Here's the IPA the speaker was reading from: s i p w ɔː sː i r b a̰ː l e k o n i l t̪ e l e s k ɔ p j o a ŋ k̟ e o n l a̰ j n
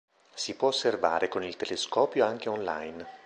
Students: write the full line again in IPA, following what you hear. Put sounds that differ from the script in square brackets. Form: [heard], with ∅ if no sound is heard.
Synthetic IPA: s i p w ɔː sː [e] r [v] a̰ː [ɾ] e k o n i l t̪ e l e s k [ɔː] p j o a ŋ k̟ e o n l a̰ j n